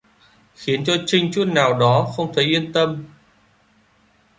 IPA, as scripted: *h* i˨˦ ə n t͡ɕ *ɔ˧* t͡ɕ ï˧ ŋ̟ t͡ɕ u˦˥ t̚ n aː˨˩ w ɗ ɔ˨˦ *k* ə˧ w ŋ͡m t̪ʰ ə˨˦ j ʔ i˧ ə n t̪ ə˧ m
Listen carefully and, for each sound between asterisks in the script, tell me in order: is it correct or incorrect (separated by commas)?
incorrect, correct, incorrect